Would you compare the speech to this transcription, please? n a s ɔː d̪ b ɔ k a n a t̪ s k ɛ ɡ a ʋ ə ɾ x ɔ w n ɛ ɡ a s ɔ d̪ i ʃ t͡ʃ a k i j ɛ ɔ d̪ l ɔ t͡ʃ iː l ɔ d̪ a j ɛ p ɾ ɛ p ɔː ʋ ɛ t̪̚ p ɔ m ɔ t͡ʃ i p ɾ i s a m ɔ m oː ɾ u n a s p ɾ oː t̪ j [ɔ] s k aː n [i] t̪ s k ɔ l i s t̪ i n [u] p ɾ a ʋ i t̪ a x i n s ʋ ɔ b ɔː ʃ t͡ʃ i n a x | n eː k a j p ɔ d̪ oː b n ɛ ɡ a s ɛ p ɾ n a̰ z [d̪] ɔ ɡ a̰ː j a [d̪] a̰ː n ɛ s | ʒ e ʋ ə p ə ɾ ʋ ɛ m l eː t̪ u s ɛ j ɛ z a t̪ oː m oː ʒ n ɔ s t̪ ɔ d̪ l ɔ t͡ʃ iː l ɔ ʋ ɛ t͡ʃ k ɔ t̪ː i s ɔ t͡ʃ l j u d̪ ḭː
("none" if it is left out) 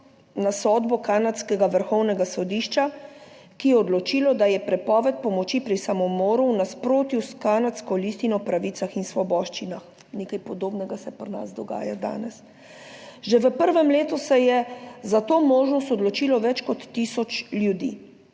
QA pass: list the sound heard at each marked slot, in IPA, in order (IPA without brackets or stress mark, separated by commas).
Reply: u, a, ɔ, d̪, d̪